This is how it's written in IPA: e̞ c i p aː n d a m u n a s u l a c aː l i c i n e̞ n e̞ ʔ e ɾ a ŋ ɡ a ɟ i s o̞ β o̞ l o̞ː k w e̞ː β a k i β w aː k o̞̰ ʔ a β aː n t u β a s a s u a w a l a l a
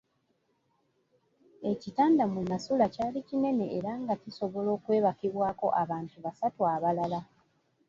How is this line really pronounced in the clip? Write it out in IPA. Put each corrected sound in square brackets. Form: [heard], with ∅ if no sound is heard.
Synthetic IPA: e̞ c i [t] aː n d a m u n a s u l a c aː l i c i n e̞ n e̞ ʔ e ɾ a ŋ ɡ a [c] i s o̞ β o̞ l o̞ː k w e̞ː β a k i β w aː k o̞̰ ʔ a β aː n t u β a s a [t] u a [β] a l a l a